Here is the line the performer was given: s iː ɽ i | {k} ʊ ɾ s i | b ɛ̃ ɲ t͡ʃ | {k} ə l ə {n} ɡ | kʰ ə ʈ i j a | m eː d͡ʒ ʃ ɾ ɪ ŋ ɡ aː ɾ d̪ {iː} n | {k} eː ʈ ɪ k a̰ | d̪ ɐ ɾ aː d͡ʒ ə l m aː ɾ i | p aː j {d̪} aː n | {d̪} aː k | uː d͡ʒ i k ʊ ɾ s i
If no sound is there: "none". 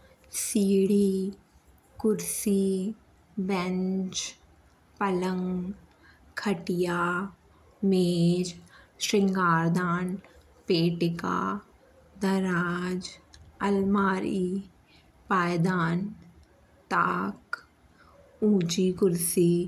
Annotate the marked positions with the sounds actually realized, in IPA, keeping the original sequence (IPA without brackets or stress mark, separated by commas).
k, p, ŋ, aː, p, d̪, t̪